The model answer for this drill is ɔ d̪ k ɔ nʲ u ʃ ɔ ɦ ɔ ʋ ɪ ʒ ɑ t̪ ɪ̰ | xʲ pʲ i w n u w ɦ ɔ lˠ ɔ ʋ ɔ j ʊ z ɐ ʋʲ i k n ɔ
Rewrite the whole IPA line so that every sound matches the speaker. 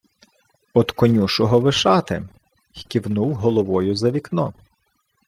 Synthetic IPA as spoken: ɔ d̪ k ɔ nʲ u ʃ ɔ ɦ ɔ ʋ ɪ ʃ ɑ t̪ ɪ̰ | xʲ kʲ i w n u w ɦ ɔ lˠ ɔ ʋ ɔ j ʊ z ɐ ʋʲ i k n ɔ